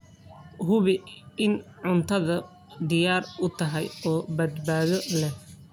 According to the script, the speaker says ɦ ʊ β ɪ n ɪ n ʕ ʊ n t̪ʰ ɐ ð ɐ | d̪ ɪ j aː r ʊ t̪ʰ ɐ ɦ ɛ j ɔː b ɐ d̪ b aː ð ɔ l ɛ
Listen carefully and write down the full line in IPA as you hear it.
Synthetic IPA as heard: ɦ ʊ β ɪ ɪ n ʕ ʊ n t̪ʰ ɐ ð ɐ | d̪ ɪ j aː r ʊ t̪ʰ ɐ ɦ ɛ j ɔː b ɐ d̪ b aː ð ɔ l ɛ